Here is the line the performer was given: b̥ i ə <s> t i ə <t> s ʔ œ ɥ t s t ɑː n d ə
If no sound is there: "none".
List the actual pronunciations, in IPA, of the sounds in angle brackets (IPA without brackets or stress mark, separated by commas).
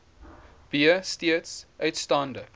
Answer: s, t